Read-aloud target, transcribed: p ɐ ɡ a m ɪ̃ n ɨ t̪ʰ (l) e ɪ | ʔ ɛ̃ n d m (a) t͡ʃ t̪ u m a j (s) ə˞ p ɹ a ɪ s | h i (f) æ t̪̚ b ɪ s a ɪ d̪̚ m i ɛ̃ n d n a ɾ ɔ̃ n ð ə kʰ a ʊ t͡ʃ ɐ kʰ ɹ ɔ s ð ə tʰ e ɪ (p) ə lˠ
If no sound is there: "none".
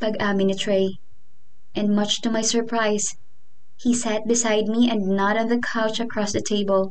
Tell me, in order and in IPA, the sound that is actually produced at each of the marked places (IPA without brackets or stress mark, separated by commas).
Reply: ɹ, ʌ, s, s, b